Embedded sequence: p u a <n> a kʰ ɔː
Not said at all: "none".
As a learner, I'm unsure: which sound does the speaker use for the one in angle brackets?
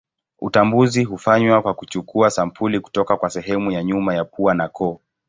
n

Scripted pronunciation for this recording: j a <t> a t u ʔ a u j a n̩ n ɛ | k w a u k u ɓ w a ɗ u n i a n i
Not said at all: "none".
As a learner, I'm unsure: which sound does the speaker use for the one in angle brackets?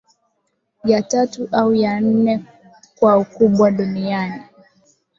t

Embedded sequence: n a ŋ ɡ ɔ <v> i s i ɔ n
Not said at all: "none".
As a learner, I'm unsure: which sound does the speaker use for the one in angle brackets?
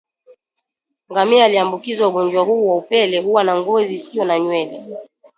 z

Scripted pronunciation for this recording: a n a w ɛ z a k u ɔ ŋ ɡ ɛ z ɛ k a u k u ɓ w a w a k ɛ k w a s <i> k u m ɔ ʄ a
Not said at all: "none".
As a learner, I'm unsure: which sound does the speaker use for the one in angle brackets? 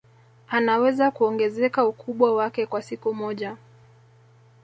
i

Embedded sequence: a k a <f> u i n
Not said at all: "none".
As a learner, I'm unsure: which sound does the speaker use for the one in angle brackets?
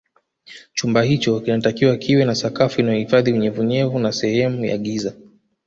f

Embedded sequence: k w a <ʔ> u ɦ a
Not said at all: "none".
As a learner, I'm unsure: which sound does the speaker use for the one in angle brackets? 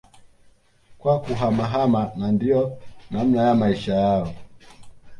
k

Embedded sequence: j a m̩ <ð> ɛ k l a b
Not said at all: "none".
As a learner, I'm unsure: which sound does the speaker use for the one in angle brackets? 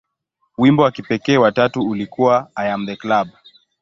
ð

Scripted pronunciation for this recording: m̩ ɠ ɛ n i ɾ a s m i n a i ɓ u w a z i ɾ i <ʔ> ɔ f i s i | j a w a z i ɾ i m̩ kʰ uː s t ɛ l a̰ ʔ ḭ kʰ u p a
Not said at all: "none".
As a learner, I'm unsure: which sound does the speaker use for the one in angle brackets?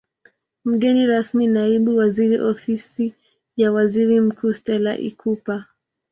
ʔ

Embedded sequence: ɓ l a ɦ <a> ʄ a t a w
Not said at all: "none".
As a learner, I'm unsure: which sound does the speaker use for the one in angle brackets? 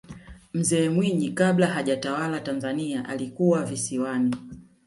a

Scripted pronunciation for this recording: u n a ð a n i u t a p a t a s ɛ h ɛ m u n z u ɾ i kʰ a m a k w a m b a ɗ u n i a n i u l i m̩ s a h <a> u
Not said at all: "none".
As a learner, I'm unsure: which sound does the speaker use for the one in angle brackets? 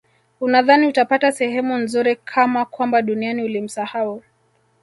a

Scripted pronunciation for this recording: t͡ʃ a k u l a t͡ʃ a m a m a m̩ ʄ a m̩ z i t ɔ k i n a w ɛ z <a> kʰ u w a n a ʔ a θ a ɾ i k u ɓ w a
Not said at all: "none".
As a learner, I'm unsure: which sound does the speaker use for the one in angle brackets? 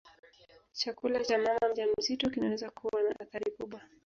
a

